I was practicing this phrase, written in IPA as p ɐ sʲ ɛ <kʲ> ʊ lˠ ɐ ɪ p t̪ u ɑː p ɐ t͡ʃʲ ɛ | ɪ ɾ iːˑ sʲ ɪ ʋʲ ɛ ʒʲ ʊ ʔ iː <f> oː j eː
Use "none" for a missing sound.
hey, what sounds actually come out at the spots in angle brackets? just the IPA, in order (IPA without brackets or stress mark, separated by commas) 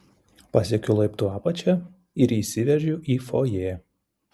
kʲ, f